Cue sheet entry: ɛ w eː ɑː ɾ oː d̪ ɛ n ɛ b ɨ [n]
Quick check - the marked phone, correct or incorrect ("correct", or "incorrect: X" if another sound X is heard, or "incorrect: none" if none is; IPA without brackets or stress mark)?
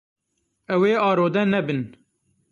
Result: correct